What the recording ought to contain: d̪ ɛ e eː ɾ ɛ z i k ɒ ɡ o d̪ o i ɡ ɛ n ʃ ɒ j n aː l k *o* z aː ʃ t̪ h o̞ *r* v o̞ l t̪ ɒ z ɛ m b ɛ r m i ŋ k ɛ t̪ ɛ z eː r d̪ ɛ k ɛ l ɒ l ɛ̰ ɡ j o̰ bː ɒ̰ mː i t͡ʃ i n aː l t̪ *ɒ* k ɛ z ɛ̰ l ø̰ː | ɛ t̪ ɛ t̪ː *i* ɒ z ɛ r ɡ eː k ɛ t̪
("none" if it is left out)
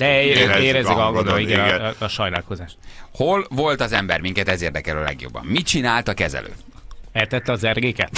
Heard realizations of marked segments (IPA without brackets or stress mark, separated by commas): o, l, ɒ, ɛ